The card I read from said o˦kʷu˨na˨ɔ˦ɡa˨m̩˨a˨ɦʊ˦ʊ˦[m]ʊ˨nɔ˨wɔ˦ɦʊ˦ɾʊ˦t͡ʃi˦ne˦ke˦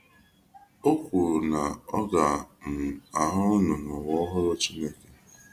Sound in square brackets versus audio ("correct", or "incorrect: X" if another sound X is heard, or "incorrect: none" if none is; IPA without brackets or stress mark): incorrect: n